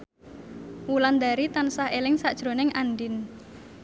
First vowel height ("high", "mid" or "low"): high